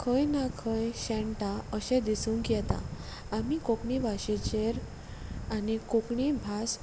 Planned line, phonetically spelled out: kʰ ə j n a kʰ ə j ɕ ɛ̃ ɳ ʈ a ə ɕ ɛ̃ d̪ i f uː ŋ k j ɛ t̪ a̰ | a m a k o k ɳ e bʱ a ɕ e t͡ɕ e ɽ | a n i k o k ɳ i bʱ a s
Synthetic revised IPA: kʰ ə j n a kʰ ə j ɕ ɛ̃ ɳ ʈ a ə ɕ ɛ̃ d̪ i s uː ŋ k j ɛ t̪ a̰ | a m i k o k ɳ i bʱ a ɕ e t͡ɕ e ɾ | a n i k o k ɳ i bʱ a s

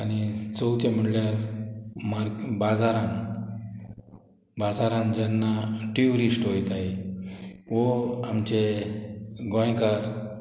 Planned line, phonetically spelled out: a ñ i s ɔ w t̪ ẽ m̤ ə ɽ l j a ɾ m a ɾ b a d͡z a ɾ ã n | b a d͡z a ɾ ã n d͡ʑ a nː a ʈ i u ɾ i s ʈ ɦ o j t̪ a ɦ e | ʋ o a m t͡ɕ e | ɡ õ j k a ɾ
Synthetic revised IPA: a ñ i t͡s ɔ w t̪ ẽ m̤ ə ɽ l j a ɾ m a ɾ b a d͡z a ɾ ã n | b a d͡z a ɾ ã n d͡ʑ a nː a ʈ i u ɾ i s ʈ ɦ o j t̪ a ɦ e | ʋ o a m t͡ɕ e | ɡ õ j k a ɾ

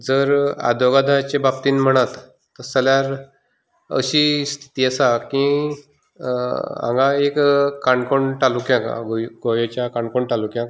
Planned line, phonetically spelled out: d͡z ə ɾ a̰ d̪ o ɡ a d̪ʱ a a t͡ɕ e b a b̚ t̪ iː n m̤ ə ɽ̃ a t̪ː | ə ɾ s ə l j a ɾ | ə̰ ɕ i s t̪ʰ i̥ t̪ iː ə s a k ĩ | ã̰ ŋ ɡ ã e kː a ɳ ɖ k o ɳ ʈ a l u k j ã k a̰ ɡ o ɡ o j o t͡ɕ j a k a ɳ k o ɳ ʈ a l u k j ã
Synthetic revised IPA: d͡z ə ɾ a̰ d̪ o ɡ a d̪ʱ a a t͡ɕ e b a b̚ t̪ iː n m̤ ə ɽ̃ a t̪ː | ə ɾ s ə l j a ɾ | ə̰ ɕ i s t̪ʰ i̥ t̪ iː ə s a k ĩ | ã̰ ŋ ɡ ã e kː a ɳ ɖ k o ɳ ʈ a l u k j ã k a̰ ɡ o ɡ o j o t͡ɕ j a k a ɳ k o ɳ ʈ a l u k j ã

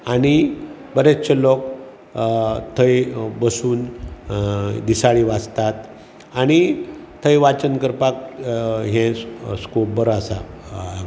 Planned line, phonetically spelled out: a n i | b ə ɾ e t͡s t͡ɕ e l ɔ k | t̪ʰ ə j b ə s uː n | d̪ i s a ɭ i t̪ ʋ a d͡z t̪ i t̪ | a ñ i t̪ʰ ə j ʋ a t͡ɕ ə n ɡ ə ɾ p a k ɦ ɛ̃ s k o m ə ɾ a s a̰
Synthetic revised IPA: a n i | b ə ɾ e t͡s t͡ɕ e l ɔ k | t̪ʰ ə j b ə s uː n | d̪ i s a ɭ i ʋ a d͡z t̪ a t̪ | a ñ i t̪ʰ ə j ʋ a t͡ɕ ə n k ə ɾ p a k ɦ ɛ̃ s k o b ə ɾ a s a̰

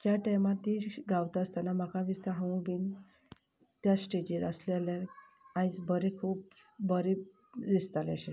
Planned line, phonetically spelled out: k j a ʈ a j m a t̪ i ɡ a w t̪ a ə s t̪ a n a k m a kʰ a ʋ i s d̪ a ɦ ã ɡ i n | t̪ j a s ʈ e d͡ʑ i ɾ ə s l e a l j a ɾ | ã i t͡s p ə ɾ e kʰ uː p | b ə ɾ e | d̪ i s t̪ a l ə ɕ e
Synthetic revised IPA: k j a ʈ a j m a t̪ i ɡ a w t̪ a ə s t̪ a n a m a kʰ a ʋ i s t̪ a ɦ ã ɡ i n | t̪ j a s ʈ e d͡ʑ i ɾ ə s l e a l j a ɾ | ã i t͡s b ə ɾ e kʰ uː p | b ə ɾ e | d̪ i s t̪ a l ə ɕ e

